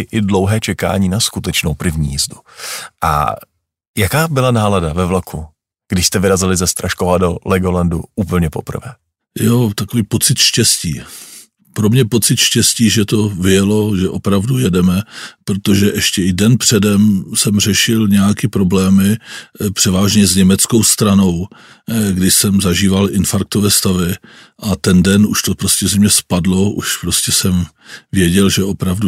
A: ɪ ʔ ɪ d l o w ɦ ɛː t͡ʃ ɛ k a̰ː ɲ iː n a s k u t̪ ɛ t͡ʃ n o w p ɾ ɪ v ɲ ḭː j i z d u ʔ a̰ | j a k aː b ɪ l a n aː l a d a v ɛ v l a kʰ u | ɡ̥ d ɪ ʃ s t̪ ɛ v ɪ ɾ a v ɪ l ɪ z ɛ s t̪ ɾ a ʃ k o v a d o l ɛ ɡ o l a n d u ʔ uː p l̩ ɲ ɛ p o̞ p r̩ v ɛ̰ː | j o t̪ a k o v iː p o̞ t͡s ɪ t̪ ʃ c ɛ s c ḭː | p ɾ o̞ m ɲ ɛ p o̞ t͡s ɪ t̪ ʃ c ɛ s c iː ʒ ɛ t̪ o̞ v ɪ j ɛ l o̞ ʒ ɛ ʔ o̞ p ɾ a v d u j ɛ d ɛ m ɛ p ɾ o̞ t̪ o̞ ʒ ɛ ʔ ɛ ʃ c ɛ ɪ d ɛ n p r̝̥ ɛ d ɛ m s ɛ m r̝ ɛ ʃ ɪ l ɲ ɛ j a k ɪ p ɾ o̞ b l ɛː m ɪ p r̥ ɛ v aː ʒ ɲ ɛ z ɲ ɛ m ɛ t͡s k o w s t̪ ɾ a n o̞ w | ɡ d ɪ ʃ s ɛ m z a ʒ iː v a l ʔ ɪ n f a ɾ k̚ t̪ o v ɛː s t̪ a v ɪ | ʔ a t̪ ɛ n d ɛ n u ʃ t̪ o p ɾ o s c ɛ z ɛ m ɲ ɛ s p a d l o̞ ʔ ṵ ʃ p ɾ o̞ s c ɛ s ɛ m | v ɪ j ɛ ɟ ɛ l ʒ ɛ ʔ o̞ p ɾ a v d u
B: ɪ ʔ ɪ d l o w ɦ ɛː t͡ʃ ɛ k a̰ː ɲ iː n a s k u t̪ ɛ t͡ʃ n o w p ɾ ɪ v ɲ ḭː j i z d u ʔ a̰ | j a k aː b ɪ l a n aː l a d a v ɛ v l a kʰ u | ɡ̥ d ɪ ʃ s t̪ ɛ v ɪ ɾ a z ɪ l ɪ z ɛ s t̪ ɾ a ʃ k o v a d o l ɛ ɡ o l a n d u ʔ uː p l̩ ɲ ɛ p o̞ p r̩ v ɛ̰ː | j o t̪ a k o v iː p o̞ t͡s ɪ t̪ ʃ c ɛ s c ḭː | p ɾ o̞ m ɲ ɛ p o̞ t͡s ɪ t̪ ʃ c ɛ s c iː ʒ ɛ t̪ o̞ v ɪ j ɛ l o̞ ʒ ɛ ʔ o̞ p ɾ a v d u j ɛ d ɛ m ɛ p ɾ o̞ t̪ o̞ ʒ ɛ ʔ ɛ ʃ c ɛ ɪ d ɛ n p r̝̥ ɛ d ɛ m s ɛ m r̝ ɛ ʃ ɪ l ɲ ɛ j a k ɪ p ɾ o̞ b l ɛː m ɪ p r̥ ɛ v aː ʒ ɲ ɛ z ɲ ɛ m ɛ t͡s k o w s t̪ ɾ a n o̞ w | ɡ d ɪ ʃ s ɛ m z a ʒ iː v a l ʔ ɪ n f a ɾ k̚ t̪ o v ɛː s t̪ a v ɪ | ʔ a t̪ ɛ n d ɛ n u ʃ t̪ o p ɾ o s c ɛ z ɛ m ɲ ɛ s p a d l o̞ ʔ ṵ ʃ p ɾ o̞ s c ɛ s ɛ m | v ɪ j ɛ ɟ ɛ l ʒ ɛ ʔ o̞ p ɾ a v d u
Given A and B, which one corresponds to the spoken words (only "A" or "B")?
B